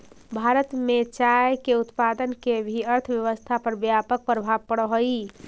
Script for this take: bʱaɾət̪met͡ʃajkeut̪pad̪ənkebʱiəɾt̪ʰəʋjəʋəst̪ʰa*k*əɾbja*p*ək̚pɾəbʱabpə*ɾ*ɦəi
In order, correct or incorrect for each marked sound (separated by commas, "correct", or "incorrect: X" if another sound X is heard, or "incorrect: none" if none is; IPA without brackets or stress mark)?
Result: incorrect: p, correct, incorrect: ɽ